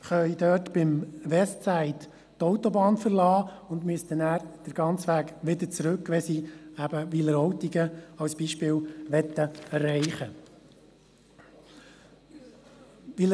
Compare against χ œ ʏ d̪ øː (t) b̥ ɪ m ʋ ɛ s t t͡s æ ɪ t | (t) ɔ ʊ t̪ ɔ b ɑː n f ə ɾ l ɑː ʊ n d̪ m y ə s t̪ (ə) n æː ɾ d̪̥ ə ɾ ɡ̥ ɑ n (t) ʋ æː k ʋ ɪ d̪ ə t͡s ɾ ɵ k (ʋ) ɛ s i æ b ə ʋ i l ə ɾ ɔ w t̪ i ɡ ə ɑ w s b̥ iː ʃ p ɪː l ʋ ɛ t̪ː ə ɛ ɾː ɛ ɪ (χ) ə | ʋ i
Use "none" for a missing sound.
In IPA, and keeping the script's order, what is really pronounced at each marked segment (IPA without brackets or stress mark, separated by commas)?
t, t, ə, t͡s, ʋ, χ